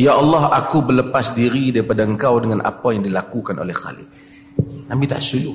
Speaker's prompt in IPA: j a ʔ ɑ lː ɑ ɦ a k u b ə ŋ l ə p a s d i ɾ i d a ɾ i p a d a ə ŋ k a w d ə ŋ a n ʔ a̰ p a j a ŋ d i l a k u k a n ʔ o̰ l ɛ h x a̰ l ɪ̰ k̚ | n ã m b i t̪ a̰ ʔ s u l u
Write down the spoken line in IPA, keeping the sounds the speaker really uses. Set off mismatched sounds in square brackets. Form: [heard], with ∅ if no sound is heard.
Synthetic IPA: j a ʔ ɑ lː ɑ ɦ a k u b ə [∅] l ə p a s d i ɾ i d a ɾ i p a d a ə ŋ k a w d ə ŋ a n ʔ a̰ p a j a ŋ d i l a k u k a n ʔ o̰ l ɛ h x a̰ l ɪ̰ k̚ | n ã m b i t̪ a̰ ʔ s u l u